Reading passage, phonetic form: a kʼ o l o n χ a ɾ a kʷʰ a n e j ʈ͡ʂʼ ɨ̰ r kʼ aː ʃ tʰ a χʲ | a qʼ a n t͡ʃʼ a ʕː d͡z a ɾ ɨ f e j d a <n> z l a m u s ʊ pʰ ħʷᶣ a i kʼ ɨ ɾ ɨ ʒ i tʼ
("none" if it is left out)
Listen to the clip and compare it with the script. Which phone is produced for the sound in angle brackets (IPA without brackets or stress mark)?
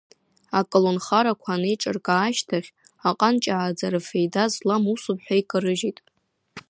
none